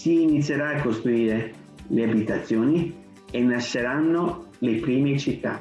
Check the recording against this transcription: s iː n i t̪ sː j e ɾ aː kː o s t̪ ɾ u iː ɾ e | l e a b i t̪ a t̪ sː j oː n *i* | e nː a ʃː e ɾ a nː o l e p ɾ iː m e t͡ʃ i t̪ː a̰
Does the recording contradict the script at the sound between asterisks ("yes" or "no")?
no